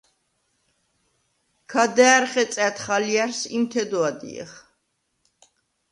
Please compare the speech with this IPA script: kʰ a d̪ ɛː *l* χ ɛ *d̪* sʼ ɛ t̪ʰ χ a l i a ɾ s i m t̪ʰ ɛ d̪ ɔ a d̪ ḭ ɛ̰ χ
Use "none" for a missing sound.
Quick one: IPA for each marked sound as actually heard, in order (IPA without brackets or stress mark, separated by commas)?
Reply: ɾ, t̪